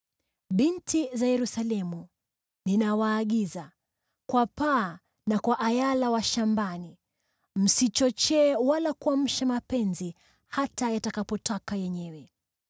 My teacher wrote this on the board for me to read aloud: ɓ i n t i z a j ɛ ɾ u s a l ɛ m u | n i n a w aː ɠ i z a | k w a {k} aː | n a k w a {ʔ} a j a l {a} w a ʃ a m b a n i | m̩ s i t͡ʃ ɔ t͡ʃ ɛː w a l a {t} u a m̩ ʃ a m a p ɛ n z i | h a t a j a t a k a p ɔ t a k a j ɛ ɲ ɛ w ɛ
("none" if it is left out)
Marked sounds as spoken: p, ʔ, a, k

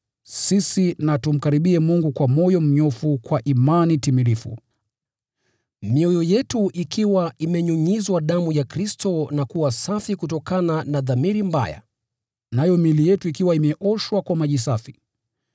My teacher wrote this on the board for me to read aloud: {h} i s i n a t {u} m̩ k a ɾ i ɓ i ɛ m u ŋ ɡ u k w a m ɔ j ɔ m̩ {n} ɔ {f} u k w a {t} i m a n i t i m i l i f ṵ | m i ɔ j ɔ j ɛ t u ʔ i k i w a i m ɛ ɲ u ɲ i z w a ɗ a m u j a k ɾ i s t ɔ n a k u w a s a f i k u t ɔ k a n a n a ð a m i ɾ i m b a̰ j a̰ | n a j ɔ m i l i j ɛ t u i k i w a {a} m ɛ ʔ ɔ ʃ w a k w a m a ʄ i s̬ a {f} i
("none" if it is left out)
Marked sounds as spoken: s, u, ɲ, f, ʔ, i, f

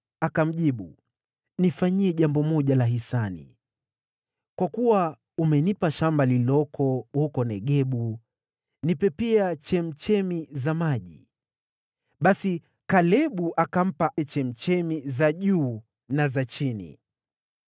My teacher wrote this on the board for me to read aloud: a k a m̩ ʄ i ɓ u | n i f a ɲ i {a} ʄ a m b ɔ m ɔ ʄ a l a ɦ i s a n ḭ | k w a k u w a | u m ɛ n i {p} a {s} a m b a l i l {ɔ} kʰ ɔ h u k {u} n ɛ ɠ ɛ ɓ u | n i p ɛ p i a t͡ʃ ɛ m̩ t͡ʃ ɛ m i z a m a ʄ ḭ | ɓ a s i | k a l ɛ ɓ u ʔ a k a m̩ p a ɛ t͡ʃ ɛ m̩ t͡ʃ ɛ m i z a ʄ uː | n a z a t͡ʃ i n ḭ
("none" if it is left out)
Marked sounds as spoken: ɛ, p, ʃ, ɔ, ɔ

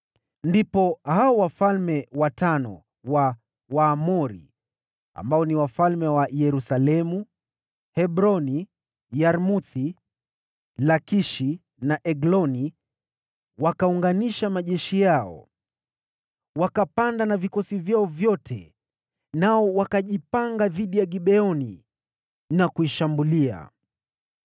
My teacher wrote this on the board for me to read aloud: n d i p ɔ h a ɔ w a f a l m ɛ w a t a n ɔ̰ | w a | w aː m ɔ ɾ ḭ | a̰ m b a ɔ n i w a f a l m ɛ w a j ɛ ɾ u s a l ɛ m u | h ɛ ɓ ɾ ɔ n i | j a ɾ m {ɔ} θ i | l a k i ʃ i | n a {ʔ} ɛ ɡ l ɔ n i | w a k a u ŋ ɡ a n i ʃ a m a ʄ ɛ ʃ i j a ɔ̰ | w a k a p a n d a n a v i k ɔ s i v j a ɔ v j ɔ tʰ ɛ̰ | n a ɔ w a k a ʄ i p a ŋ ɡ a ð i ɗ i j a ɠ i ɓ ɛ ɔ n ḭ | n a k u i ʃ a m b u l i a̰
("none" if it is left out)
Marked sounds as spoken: u, ʔ

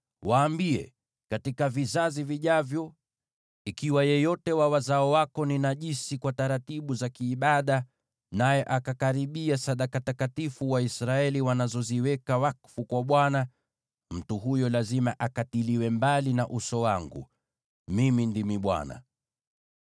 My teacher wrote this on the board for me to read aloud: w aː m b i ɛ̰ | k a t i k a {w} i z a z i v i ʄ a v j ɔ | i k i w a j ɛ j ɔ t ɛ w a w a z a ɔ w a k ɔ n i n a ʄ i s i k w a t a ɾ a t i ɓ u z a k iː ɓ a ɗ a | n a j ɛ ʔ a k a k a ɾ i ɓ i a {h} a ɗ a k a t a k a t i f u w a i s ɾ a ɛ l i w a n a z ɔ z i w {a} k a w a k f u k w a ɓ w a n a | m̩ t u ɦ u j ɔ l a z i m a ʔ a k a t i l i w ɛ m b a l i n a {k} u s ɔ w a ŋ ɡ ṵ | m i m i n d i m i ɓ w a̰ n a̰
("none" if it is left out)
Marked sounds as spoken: v, s, ɛ, ʔ

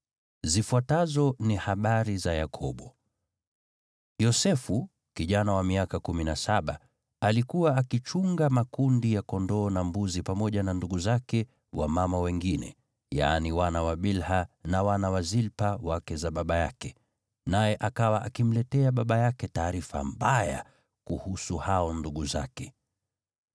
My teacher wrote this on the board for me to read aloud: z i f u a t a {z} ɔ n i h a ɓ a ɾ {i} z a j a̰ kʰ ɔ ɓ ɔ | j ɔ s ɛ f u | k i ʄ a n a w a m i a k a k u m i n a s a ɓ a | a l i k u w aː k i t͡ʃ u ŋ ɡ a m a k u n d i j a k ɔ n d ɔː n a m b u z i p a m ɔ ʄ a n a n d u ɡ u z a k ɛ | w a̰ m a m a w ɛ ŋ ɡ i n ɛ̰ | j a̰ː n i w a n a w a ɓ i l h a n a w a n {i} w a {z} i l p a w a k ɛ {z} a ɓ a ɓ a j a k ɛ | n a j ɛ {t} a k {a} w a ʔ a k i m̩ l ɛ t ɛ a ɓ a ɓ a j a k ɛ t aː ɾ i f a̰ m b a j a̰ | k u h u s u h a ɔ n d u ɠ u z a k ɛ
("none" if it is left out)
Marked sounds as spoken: z, i, a, z, z, ʔ, a

